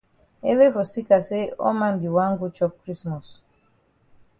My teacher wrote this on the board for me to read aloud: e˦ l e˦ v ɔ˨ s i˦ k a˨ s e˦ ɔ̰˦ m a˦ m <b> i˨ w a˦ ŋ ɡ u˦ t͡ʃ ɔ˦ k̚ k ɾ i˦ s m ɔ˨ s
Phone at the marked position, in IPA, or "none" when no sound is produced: b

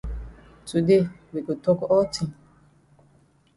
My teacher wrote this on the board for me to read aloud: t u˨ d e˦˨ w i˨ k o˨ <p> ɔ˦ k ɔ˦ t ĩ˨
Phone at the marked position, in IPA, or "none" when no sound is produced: t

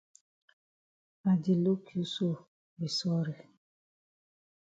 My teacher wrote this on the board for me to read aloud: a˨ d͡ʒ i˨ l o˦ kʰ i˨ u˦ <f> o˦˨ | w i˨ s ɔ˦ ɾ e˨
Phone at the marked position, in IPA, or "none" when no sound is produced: s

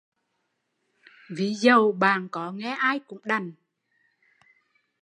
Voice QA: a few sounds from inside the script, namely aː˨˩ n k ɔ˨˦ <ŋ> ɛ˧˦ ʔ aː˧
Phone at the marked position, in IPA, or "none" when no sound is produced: ŋ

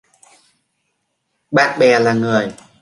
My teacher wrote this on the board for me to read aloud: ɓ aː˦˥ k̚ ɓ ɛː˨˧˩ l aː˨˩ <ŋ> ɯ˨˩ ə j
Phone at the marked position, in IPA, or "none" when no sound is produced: ŋ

